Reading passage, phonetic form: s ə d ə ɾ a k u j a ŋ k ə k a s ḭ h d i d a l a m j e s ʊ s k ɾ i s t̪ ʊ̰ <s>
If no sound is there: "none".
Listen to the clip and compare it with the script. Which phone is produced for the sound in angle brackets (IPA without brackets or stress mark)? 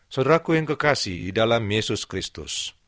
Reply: s